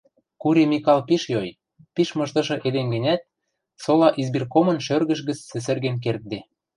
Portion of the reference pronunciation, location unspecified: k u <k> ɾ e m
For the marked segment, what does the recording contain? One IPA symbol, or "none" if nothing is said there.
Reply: none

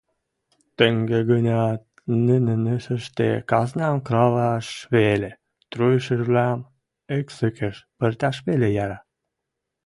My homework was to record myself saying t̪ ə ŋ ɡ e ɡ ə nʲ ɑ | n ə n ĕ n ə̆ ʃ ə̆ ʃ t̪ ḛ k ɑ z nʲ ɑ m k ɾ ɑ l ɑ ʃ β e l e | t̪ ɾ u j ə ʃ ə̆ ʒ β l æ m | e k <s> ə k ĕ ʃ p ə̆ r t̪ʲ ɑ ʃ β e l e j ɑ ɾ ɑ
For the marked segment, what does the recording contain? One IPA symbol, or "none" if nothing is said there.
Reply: s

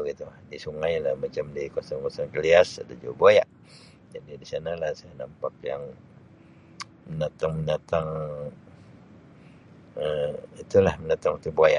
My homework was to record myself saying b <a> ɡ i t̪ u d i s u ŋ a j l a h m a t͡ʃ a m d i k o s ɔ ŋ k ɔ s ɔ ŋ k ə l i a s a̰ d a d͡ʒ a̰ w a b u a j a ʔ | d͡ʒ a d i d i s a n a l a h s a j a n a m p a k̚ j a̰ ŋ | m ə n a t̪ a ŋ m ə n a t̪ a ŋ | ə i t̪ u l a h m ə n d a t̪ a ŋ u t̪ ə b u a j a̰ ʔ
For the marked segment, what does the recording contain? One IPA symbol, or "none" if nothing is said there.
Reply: ə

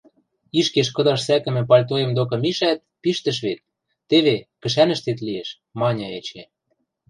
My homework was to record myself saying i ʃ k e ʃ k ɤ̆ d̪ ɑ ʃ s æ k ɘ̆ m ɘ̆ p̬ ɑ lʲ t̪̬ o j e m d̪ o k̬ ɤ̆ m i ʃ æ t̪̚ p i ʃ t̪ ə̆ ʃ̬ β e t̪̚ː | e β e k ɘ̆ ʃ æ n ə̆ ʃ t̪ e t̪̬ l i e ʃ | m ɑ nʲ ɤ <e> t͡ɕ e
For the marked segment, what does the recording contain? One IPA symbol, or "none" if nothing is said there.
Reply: e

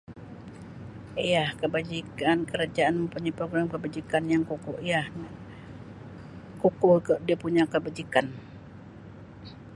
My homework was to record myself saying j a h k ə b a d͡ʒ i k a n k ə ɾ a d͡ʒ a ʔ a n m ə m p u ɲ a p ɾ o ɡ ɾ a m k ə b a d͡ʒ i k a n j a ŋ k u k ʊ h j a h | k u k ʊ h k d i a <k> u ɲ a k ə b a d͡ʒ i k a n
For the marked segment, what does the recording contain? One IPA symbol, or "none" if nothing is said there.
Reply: p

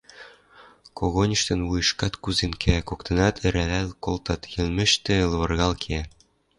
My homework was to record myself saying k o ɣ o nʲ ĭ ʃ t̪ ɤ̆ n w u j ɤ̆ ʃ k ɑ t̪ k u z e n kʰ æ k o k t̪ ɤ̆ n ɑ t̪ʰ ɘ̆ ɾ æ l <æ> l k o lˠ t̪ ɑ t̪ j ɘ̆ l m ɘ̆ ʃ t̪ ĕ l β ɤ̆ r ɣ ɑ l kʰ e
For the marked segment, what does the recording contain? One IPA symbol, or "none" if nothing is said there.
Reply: æ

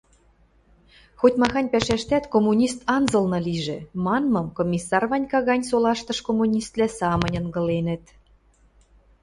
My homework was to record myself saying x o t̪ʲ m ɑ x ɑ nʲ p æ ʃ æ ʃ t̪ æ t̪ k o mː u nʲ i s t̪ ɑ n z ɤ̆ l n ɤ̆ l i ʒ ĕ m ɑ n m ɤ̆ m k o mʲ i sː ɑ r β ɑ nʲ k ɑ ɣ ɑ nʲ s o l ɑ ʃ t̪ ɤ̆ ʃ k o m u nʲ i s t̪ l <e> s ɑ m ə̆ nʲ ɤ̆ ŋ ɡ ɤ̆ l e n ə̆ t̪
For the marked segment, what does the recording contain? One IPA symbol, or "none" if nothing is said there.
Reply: æ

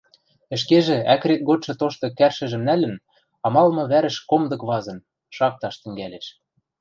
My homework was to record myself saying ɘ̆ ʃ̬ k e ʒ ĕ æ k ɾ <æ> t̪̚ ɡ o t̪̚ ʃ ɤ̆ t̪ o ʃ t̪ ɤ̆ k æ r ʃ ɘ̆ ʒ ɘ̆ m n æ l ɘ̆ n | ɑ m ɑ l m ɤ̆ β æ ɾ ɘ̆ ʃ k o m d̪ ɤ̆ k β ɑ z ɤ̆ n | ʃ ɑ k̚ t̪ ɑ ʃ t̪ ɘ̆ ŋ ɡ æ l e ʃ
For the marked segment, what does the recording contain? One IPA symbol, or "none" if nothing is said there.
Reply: e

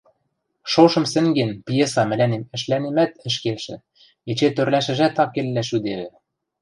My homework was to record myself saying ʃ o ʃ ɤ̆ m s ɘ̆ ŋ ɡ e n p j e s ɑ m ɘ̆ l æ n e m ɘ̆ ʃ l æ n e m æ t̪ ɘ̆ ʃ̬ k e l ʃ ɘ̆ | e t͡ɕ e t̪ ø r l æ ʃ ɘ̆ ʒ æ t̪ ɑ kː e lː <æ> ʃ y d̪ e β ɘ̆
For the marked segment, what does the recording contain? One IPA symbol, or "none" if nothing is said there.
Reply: æ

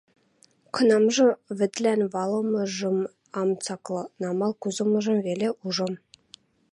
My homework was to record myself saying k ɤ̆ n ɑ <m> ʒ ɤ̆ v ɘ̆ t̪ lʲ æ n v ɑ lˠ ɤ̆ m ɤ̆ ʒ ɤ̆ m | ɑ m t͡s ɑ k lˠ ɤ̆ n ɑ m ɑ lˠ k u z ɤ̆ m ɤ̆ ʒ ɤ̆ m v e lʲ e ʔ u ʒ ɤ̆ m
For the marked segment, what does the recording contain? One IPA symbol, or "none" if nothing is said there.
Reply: m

